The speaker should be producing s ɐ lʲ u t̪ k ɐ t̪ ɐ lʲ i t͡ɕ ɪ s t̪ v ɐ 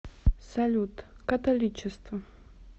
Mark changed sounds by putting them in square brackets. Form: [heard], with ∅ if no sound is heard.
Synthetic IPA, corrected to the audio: s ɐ lʲ u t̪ k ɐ t̪ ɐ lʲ i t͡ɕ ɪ s t̪ v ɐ